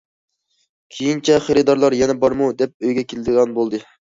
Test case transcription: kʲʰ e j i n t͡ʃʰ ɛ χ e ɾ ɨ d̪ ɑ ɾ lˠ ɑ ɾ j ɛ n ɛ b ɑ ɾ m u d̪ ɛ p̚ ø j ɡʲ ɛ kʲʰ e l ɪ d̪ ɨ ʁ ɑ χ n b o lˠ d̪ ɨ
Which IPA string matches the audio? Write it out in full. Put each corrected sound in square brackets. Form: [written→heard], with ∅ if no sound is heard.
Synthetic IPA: kʲʰ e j i n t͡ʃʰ ɛ χ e ɾ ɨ d̪ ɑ ɾ lˠ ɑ ɾ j ɛ n ɛ b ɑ ɾ m u d̪ ɛ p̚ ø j ɡʲ ɛ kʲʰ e l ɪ d̪ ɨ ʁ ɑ [χ→∅] n b o lˠ d̪ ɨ

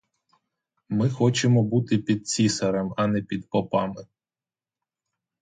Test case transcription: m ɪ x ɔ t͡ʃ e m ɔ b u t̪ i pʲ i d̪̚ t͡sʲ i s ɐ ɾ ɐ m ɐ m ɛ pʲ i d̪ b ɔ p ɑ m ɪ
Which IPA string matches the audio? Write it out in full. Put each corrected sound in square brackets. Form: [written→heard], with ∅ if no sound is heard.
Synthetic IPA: m ɪ x ɔ t͡ʃ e m ɔ b u t̪ [i→ɪ] pʲ i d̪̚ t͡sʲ i s ɐ ɾ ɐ m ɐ [m→n] ɛ pʲ i d̪ [b→p] ɔ p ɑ m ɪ

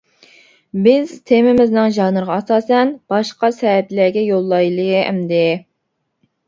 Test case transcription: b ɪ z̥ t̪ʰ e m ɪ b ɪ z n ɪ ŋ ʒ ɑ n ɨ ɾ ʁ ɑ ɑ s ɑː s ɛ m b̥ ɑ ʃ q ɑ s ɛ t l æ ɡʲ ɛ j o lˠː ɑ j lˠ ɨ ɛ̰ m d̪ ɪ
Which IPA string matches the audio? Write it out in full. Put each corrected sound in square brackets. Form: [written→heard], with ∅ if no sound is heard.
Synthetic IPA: b ɪ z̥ t̪ʰ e m ɪ [b→m] ɪ z n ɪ ŋ ʒ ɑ n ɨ ɾ ʁ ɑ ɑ s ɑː s ɛ [m→n] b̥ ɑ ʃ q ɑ s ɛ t l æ ɡʲ ɛ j o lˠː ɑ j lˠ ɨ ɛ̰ m d̪ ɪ

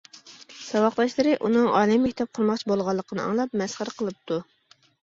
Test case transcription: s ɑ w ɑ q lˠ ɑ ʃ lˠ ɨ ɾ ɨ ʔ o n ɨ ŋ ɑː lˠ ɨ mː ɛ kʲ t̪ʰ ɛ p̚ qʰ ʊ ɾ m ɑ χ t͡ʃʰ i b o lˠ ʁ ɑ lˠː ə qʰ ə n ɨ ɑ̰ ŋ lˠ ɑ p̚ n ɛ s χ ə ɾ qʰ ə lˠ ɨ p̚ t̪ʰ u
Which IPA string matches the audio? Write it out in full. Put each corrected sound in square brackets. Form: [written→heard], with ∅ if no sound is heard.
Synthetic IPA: s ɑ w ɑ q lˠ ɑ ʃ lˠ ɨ ɾ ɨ ʔ [o→u] n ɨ ŋ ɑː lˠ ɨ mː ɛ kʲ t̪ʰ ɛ p̚ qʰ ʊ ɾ m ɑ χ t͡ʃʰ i b o lˠ ʁ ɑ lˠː ə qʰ ə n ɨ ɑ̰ ŋ lˠ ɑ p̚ [n→m] ɛ s χ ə ɾ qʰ ə lˠ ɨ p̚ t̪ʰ u

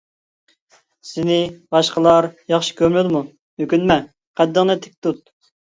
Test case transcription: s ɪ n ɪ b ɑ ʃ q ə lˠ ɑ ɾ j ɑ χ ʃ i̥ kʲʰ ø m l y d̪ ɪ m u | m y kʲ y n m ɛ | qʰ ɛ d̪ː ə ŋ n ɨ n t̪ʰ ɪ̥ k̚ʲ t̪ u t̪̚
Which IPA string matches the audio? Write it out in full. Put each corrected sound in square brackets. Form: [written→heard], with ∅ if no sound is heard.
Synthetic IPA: s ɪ n ɪ b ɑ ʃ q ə lˠ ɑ ɾ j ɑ χ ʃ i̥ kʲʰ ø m l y d̪ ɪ m u | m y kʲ y n m ɛ | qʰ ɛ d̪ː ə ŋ n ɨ [n→∅] t̪ʰ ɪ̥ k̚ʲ t̪ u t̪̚

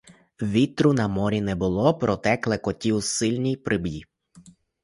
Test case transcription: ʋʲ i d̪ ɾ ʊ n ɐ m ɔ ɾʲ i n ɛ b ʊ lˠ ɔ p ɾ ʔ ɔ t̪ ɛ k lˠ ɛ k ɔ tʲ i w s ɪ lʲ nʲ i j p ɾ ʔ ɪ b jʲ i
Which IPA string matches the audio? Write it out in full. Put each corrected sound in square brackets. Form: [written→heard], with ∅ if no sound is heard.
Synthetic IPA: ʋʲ i [d̪→t̪] ɾ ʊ n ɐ m ɔ ɾʲ i n ɛ b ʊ lˠ ɔ p ɾ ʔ ɔ t̪ ɛ k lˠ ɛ k ɔ tʲ i w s ɪ lʲ nʲ i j p ɾ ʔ ɪ b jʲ i

